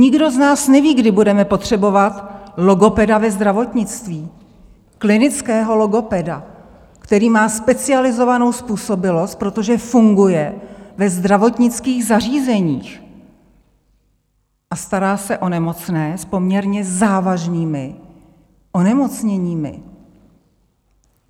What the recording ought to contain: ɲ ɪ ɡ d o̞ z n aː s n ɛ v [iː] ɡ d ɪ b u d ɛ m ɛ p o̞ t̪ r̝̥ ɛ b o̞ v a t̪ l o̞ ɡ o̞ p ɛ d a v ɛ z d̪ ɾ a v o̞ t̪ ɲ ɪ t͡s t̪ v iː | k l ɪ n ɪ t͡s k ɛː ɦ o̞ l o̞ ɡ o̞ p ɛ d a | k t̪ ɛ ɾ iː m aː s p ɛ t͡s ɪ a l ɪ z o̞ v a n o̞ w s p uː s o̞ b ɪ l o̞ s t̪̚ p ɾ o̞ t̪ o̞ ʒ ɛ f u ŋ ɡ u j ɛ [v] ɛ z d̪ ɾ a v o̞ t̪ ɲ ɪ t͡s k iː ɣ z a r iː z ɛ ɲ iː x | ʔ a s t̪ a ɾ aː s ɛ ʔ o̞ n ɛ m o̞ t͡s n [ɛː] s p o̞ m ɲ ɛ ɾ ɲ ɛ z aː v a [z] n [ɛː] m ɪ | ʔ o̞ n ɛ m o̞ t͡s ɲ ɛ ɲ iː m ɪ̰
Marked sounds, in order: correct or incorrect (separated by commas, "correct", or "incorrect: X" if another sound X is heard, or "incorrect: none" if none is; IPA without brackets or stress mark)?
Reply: correct, correct, correct, incorrect: ʒ, incorrect: iː